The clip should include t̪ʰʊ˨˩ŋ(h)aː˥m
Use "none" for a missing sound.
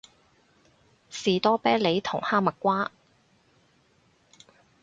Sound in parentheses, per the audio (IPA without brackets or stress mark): h